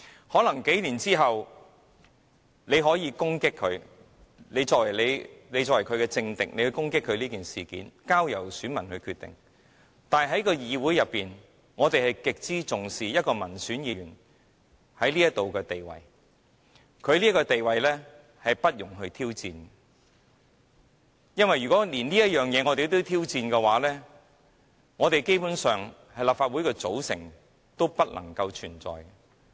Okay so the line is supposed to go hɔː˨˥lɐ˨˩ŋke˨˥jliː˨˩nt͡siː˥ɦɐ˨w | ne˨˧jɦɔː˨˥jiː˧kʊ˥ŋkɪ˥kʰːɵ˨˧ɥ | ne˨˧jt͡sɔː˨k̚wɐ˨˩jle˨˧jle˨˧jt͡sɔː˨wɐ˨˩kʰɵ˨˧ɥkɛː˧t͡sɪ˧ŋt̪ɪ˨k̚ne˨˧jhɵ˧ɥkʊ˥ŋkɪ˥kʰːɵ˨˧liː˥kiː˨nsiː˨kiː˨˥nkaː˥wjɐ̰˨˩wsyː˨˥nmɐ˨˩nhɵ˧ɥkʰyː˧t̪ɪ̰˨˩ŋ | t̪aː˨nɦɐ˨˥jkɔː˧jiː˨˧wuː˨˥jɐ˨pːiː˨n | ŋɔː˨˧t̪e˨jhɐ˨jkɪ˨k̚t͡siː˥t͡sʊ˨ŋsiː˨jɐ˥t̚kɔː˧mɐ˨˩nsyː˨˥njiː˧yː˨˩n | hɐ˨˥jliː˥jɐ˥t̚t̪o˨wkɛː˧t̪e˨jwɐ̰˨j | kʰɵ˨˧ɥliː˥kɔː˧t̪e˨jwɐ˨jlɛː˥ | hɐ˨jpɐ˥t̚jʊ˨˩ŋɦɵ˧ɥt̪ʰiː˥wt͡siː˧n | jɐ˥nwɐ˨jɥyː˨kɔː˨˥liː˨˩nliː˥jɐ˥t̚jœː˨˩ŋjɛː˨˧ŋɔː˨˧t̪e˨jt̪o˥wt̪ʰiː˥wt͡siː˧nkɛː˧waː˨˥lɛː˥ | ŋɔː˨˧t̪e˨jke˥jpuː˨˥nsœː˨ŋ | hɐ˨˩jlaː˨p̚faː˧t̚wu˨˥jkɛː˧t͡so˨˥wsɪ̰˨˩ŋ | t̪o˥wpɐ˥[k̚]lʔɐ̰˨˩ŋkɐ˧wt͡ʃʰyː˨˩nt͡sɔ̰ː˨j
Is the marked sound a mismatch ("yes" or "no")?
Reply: yes